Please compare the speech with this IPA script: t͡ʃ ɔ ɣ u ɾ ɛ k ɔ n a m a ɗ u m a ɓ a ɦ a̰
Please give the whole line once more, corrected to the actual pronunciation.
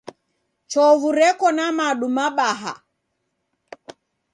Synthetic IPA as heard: t͡ʃ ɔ v u ɾ ɛ k ɔ n a m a ɗ u m a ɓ a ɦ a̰